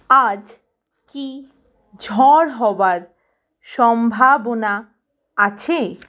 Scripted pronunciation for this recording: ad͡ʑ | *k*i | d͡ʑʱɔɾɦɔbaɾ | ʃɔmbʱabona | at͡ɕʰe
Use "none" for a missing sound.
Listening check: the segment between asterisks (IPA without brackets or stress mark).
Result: k